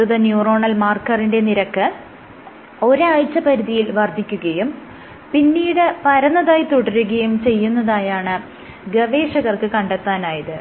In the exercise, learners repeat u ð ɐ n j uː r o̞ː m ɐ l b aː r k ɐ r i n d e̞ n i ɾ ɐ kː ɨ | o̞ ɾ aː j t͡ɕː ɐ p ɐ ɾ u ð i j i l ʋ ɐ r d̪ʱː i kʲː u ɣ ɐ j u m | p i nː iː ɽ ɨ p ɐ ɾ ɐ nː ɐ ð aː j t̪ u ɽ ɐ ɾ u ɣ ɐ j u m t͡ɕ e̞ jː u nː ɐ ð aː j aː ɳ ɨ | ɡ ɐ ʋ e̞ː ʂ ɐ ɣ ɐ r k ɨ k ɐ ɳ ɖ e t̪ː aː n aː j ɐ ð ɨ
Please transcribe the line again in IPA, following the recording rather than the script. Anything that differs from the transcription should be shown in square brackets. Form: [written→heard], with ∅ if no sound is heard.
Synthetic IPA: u ð ɐ n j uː r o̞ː [m→ɳ] ɐ l [b→m] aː r k ɐ r i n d e̞ n i ɾ ɐ kː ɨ | o̞ ɾ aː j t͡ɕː ɐ p ɐ ɾ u ð i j i l ʋ ɐ r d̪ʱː i kʲː u ɣ ɐ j u m | p i nː iː ɽ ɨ p ɐ ɾ ɐ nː ɐ ð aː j t̪ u ɽ ɐ ɾ u ɣ ɐ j u m t͡ɕ e̞ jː u nː ɐ ð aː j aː ɳ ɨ | ɡ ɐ ʋ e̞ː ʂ ɐ ɣ ɐ r k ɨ k ɐ ɳ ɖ e t̪ː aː n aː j ɐ ð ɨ